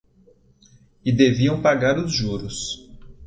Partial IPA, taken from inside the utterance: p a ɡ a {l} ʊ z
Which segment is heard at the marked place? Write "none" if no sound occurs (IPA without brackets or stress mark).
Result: ɾ